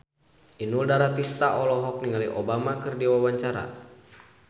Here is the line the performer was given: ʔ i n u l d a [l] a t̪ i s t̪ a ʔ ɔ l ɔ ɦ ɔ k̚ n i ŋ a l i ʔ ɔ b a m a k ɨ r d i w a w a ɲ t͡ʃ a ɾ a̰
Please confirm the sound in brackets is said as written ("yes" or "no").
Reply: no